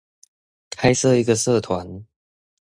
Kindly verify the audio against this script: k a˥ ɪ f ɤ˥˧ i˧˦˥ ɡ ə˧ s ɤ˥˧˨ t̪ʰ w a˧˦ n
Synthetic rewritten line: kʰ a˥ ɪ s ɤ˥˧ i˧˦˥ ɡ ə˧ s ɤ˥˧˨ t̪ʰ w a˧˦ n